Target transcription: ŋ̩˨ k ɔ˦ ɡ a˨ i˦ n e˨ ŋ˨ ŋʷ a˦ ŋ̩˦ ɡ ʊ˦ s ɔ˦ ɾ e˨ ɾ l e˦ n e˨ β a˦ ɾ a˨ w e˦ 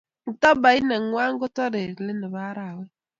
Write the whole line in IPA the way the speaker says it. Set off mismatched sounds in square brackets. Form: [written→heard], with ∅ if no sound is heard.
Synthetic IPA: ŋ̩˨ [k→t] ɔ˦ [ɡ→b] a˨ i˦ n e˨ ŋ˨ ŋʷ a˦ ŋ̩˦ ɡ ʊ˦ [s→t] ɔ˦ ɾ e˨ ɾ l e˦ n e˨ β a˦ ɾ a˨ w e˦